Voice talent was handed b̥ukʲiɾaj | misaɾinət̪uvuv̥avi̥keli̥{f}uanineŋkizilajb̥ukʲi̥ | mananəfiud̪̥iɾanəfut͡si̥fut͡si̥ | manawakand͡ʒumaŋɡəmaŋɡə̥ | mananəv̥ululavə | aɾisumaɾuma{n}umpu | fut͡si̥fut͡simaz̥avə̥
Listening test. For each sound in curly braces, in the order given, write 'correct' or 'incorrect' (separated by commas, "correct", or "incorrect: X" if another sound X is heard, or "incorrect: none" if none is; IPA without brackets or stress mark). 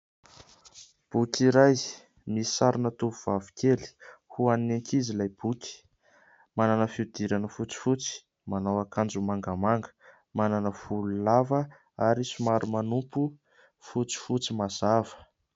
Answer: incorrect: h, correct